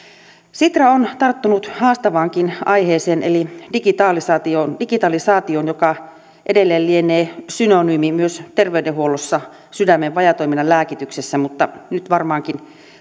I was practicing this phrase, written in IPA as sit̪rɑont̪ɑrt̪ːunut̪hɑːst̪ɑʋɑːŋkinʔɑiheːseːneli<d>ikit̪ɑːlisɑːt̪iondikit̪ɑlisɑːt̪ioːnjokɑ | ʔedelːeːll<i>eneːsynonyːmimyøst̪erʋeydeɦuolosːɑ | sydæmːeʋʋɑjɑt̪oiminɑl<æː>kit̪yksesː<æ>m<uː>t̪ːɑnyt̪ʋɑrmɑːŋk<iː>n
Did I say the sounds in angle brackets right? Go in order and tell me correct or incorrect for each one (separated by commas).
correct, correct, correct, correct, incorrect, incorrect